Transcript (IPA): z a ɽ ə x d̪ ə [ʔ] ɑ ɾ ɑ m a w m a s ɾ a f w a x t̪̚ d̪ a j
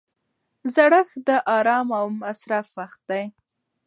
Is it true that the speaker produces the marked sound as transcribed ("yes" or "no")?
yes